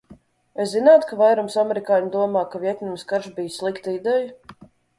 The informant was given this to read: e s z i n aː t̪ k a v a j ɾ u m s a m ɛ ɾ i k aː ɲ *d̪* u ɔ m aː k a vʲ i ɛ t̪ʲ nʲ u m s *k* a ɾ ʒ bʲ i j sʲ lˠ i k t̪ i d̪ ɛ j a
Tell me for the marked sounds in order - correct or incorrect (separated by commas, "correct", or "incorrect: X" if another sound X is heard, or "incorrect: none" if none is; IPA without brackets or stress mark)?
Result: correct, correct